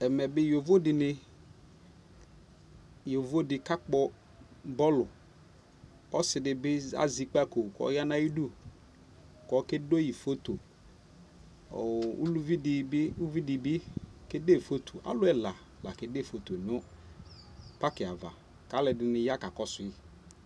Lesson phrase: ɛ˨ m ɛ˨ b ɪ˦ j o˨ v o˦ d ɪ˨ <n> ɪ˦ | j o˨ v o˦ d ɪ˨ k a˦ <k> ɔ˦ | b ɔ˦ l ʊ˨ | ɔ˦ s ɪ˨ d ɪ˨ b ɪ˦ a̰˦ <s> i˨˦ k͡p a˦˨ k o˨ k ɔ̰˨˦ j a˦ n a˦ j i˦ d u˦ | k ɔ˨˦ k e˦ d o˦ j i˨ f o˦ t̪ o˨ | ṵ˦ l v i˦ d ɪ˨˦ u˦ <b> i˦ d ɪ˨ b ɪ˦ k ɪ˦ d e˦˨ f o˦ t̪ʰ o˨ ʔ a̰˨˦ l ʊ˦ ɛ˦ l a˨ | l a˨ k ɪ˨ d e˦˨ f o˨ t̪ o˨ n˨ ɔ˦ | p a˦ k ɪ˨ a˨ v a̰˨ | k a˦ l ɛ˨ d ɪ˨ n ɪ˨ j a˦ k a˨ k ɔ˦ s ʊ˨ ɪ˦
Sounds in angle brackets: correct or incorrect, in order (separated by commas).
correct, incorrect, incorrect, incorrect